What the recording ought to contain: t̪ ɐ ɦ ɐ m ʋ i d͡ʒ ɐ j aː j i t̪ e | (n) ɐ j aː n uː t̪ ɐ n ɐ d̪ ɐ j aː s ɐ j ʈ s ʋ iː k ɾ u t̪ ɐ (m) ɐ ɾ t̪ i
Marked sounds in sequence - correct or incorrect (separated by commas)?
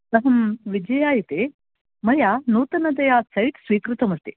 incorrect, correct